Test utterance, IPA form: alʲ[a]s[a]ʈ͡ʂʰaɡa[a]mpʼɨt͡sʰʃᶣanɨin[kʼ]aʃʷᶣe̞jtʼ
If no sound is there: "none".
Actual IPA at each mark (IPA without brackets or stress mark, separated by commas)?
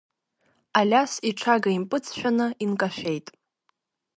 a, i, i, kʼ